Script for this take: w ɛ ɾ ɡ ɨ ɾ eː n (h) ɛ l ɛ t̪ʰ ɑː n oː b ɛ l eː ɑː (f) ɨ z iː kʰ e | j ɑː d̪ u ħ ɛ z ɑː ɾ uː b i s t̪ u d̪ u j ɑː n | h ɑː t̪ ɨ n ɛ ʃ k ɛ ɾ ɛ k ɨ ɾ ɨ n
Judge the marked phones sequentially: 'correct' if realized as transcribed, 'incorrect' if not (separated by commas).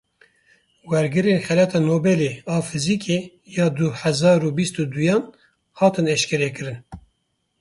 incorrect, correct